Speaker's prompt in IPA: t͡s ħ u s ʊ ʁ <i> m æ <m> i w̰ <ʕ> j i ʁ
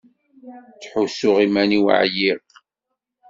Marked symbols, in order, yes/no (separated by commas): yes, no, yes